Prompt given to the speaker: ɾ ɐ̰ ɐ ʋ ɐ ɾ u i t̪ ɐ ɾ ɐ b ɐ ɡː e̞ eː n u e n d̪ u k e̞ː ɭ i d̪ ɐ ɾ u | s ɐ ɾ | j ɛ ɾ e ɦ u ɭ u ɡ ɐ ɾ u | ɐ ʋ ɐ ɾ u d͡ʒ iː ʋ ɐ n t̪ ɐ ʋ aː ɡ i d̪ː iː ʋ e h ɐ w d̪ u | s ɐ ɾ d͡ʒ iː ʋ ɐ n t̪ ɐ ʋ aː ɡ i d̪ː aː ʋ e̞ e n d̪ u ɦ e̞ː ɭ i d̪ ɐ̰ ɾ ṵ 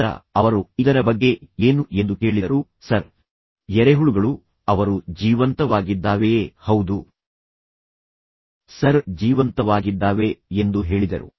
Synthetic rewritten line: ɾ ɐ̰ ɐ ʋ ɐ ɾ u i d̪ ɐ ɾ ɐ b ɐ ɡː e̞ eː n u e n d̪ u k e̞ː ɭ i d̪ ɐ ɾ u | s ɐ ɾ | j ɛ ɾ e ɦ u ɭ u ɡ ɐ ɭ u | ɐ ʋ ɐ ɾ u d͡ʒ iː ʋ ɐ n t̪ ɐ ʋ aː ɡ i d̪ː aː ʋ e h ɐ w d̪ u | s ɐ ɾ d͡ʒ iː ʋ ɐ n t̪ ɐ ʋ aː ɡ i d̪ː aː ʋ e̞ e n d̪ u ɦ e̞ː ɭ i d̪ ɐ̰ ɾ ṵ